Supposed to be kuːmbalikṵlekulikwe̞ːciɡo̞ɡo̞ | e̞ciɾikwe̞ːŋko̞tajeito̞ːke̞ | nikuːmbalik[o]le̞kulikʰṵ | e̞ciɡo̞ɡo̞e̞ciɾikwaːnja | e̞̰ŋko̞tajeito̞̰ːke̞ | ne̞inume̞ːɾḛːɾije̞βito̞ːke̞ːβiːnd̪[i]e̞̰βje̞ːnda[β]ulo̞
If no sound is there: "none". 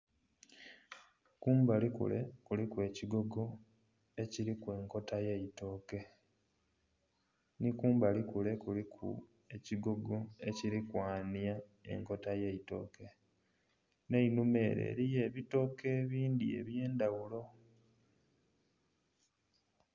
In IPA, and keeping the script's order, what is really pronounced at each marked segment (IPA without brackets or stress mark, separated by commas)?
u, i, w